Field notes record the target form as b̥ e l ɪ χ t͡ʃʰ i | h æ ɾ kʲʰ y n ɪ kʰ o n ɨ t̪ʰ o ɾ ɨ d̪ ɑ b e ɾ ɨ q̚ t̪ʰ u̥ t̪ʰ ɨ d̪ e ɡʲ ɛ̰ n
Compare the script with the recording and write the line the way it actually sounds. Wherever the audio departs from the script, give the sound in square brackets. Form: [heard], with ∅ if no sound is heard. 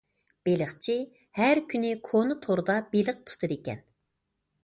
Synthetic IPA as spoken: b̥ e l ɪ χ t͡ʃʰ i | h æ ɾ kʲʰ y n ɪ kʰ o n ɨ t̪ʰ o ɾ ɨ d̪ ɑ b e [l] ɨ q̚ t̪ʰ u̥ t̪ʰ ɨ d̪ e [kʲ] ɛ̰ n